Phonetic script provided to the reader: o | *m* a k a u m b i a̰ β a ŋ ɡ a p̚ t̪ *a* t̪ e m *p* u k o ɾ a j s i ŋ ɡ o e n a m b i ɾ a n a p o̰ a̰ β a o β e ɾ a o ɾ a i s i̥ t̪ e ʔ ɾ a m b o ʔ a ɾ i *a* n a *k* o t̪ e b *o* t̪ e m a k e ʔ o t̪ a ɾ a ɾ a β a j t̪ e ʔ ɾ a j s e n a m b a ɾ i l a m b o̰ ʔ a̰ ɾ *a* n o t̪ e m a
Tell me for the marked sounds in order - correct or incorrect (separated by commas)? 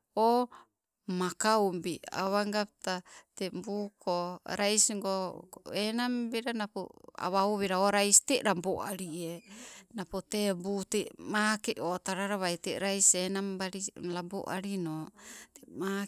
correct, correct, incorrect, incorrect, incorrect, incorrect, incorrect